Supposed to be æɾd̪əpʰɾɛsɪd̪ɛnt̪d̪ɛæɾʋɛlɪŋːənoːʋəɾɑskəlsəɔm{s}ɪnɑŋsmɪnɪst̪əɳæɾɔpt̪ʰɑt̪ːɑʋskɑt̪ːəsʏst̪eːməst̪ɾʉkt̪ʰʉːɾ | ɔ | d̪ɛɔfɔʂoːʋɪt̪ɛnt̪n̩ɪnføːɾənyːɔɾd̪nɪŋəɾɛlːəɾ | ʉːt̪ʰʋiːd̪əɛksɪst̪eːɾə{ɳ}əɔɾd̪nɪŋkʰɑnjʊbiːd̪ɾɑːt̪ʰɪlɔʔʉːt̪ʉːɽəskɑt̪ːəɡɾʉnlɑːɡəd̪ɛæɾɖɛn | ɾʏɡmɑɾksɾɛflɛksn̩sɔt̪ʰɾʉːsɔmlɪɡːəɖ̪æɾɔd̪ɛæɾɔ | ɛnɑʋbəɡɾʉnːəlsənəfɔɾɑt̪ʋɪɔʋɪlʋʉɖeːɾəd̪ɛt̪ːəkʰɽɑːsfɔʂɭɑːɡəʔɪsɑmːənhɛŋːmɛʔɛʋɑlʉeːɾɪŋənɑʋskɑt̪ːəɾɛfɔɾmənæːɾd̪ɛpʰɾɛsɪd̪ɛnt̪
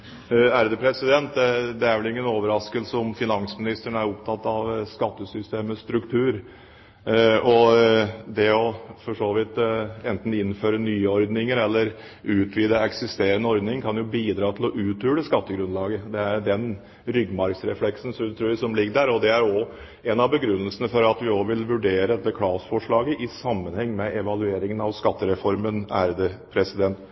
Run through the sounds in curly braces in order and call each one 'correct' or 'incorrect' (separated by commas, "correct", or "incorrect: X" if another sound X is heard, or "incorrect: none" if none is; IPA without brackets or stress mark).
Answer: incorrect: f, incorrect: n